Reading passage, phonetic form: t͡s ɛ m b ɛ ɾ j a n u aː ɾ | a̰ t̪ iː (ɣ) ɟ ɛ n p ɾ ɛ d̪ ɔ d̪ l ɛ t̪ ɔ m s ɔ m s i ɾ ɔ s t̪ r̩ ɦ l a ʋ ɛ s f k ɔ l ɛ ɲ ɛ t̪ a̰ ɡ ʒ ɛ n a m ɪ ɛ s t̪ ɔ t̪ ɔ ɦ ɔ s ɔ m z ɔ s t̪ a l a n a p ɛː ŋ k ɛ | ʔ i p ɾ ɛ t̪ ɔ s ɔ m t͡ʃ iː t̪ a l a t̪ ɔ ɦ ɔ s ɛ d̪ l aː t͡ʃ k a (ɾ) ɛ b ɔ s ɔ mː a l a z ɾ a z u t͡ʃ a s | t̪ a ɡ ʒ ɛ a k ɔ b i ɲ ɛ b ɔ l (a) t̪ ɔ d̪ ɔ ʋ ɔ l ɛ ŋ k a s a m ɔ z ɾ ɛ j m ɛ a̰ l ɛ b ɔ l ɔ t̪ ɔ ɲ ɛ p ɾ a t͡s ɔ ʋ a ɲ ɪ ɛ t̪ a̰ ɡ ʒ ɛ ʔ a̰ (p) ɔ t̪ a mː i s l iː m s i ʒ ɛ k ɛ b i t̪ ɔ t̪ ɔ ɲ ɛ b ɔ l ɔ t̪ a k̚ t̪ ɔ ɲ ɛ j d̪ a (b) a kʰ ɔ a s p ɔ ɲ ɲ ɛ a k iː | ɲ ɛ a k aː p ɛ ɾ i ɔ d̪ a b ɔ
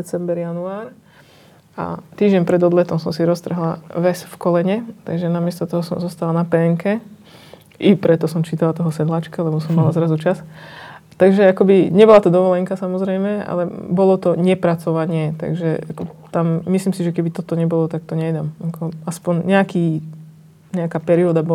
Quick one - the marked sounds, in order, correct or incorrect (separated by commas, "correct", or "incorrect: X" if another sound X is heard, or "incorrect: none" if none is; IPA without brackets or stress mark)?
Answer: incorrect: ʒ, incorrect: l, correct, incorrect: k, incorrect: m